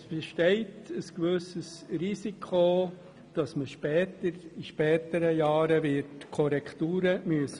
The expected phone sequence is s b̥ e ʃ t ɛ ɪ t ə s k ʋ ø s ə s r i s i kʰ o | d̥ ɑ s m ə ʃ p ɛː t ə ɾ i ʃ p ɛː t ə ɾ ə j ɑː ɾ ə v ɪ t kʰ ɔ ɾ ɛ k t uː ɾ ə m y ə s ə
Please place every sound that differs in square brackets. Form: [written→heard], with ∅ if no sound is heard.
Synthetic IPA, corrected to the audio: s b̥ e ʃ t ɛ ɪ t ə s k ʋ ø s ə s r i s i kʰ o | d̥ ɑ s m ə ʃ p ɛː t ə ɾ i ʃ p ɛː t ə ɾ ə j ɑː ɾ ə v ɪ t kʰ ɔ ɾ ɛ k t uː ɾ ə m y ə s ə